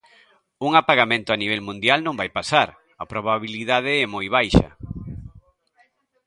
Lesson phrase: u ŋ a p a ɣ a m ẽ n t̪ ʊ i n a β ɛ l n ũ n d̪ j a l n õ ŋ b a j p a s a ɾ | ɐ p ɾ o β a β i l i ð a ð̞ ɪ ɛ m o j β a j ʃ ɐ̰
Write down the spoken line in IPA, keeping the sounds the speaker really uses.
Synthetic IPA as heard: u ŋ a p a ɣ a m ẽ n t̪ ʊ a n i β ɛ l m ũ n d̪ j a l n õ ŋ b a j p a s a ɾ | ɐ p ɾ o β a β i l i ð a ð̞ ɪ ɛ m o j β a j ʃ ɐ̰